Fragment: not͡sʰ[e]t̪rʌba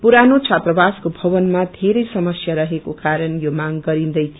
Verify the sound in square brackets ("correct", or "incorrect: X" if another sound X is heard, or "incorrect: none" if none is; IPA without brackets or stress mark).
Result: incorrect: a